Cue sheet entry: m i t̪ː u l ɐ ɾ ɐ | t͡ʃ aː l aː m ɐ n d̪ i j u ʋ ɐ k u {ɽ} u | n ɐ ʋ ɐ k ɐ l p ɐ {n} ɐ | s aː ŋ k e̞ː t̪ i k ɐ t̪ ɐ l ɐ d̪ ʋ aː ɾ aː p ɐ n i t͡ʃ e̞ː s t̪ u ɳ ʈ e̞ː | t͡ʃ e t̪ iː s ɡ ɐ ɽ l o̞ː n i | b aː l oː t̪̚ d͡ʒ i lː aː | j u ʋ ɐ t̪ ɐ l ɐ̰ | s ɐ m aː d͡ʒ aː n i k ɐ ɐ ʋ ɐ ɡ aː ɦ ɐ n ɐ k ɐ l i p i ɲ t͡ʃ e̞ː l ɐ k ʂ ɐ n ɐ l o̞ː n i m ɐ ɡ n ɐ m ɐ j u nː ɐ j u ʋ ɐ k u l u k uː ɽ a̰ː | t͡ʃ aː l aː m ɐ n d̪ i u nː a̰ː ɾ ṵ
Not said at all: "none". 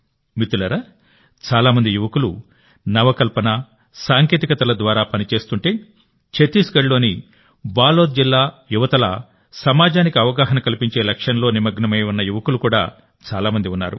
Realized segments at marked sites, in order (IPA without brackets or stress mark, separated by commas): l, n